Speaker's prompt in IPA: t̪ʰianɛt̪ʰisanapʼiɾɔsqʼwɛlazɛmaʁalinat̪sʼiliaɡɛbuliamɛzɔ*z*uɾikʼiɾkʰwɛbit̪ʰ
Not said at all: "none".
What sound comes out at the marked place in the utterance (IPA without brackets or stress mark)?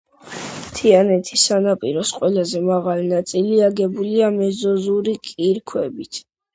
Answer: z